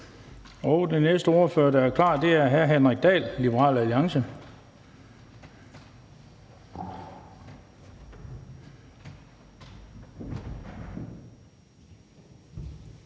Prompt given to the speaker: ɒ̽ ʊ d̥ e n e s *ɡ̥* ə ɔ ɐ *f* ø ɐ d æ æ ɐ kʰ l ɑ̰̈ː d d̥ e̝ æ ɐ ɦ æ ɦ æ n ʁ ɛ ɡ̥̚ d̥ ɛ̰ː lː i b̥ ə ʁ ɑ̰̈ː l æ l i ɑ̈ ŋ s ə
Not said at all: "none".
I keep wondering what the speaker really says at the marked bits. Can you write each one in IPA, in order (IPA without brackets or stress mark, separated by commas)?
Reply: d̥, f